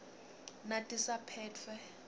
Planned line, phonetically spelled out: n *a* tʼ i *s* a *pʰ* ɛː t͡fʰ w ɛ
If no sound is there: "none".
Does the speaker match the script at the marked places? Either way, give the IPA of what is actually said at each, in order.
a, s, pʰ

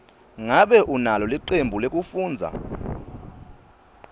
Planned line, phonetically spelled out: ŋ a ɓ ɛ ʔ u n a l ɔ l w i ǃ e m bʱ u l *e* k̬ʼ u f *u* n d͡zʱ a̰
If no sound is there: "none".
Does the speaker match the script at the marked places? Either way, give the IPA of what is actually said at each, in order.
e, uː

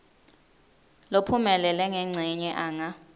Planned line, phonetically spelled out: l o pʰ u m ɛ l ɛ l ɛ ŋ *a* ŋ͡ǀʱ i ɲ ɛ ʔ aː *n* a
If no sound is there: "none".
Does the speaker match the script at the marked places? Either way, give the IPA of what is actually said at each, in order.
ɛ, ŋ

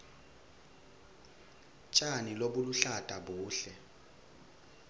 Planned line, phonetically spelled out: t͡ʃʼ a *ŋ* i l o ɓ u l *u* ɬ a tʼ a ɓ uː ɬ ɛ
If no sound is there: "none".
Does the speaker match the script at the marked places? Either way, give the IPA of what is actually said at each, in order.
n, u

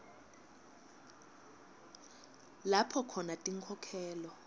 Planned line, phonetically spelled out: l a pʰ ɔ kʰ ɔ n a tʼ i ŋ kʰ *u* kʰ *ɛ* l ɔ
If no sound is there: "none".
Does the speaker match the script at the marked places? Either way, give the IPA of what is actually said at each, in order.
ɔ, ɛː

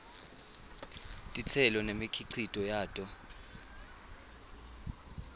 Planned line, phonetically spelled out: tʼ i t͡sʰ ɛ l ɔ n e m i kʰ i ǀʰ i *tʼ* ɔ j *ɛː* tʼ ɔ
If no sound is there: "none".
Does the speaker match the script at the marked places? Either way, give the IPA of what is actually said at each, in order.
tʼ, aː

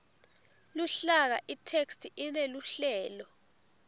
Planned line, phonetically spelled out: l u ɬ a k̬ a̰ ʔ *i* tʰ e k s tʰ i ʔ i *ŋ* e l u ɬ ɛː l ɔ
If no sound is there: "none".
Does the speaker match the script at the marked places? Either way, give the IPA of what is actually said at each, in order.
i, n

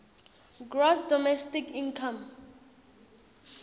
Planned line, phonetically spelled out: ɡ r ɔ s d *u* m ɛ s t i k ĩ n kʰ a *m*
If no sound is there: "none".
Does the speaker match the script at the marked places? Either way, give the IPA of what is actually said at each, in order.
ɔ, m

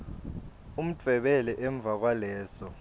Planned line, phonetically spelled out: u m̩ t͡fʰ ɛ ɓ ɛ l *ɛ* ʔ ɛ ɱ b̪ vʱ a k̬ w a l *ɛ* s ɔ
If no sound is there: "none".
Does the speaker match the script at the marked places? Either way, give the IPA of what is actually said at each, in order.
ɛ, ɛː

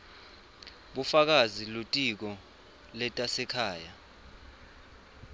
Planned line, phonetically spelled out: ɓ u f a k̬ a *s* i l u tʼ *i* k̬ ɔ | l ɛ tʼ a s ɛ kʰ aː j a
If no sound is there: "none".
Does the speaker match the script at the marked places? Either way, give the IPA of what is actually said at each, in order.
z, i

